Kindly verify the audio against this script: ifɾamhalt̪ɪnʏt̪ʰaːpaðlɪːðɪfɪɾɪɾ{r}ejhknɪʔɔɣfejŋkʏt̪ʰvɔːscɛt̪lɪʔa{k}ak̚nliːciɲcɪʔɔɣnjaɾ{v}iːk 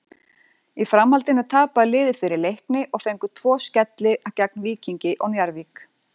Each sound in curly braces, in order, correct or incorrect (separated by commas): incorrect, incorrect, correct